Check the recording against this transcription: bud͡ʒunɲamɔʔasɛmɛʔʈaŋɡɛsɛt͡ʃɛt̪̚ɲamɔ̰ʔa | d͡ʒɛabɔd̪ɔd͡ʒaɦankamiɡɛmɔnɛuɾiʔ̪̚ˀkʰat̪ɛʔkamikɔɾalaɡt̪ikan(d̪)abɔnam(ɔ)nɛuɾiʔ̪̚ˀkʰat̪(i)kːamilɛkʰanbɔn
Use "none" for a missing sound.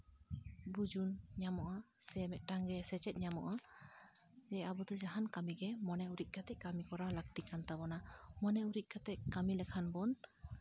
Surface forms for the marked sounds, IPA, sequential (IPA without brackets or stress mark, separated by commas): t̪, ɔ, ɛ